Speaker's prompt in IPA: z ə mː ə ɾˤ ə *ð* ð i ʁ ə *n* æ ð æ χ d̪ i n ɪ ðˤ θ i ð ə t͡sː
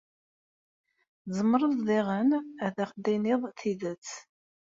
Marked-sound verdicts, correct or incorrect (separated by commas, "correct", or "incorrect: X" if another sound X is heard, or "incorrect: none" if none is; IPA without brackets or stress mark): correct, correct